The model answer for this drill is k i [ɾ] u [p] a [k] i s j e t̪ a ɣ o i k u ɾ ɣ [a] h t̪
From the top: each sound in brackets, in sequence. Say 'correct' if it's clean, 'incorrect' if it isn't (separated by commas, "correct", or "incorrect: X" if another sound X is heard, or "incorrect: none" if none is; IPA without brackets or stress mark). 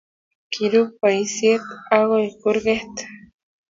correct, correct, incorrect: none, incorrect: e